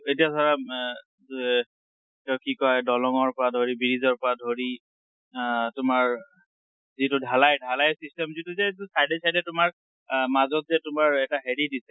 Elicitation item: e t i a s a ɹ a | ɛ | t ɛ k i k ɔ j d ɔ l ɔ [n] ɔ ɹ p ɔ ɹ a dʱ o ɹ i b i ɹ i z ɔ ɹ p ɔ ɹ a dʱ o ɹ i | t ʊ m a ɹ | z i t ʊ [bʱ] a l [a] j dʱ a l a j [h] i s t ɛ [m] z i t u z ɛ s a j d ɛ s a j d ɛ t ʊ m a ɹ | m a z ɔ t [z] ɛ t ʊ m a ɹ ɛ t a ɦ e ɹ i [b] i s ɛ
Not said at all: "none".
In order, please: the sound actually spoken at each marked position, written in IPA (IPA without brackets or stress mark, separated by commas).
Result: ŋ, dʱ, a, s, m, z, d